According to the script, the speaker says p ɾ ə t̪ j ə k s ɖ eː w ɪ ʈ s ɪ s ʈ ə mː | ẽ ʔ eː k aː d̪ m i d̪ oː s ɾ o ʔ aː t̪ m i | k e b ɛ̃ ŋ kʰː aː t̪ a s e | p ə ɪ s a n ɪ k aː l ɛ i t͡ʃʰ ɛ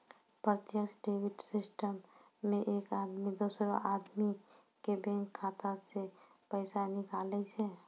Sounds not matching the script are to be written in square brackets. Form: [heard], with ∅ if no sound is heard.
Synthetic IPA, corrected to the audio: p ɾ ə t̪ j ə k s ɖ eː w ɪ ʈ s ɪ s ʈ ə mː | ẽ ʔ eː k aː d̪ m i d̪ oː s ɾ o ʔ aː [d̪] m i | k e b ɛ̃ ŋ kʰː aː t̪ a s e | p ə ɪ s a n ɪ k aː l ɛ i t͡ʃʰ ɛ